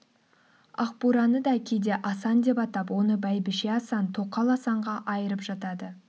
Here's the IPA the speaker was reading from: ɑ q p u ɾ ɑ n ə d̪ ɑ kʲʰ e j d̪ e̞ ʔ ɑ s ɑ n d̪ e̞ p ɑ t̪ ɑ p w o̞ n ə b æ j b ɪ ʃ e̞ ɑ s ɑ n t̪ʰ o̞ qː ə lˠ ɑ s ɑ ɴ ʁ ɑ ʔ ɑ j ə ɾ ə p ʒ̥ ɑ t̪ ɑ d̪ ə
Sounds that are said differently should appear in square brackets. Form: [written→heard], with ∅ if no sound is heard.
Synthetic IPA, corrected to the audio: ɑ q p u ɾ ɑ n ə d̪ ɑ kʲʰ e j d̪ e̞ ʔ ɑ s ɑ n d̪ e̞ p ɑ t̪ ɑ p w o̞ n ə b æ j b ɪ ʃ e̞ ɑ s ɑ n t̪ʰ o̞ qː [ə→ɑ] lˠ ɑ s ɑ ɴ ʁ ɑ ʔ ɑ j ə ɾ ə p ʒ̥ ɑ t̪ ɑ d̪ ə

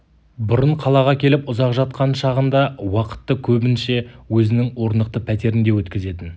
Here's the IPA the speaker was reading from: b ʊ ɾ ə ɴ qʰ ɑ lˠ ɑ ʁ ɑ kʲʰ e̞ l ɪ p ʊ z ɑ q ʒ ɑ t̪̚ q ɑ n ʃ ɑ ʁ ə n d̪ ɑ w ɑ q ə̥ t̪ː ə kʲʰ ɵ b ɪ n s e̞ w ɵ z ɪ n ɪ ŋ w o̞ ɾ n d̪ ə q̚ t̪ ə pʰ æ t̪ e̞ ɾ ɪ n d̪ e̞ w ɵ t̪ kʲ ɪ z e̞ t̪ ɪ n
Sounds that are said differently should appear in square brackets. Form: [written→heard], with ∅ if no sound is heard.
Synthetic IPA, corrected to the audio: b ʊ ɾ ə ɴ qʰ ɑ lˠ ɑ ʁ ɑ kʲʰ e̞ l ɪ p ʊ z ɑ q ʒ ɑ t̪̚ q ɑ n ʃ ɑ ʁ ə n d̪ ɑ w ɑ q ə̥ t̪ː ə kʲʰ ɵ b ɪ n [s→ʃ] e̞ w ɵ z ɪ n ɪ ŋ w o̞ ɾ n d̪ ə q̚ t̪ ə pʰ æ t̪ e̞ ɾ ɪ n d̪ e̞ w ɵ t̪ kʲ ɪ z e̞ t̪ ɪ n

